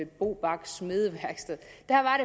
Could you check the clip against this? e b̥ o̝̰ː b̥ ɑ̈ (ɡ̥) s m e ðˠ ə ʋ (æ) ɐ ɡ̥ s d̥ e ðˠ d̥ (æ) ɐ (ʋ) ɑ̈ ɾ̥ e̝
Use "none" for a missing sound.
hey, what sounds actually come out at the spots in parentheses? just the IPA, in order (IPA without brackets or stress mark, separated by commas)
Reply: ɡ̥, æ, æ, ʋ